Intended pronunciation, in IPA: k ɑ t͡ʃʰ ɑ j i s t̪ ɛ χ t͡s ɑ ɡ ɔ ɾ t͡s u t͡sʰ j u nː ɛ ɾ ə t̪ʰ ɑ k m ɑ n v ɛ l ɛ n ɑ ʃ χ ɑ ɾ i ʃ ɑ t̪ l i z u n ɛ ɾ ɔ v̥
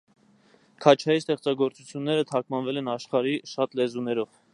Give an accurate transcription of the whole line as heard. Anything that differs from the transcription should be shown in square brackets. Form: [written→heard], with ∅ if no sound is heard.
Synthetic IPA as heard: [k→kʰ] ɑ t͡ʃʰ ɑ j i s t̪ ɛ χ t͡s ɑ ɡ ɔ ɾ t͡s u t͡sʰ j u nː ɛ ɾ ə t̪ʰ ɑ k m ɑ n v ɛ l ɛ n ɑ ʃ χ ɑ ɾ i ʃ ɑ t̪ l [i→ɛ] z u n ɛ ɾ ɔ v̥